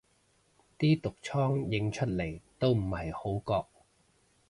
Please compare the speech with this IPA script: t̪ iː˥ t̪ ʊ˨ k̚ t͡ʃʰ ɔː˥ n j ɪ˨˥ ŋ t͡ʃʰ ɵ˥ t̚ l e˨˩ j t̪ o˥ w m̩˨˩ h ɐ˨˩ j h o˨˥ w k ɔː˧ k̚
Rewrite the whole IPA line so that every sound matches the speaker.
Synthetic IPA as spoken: t̪ iː˥ t̪ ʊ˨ k̚ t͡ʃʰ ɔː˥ ŋ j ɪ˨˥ ŋ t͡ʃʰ ɵ˥ t̚ l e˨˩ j t̪ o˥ w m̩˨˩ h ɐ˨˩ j h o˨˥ w k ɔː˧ k̚